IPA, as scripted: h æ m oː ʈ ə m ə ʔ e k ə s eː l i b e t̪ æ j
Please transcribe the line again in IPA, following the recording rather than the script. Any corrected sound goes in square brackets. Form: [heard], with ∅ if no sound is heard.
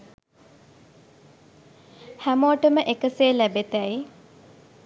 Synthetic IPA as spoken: h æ m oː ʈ ə m ə ʔ e k ə s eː l [æ] b e t̪ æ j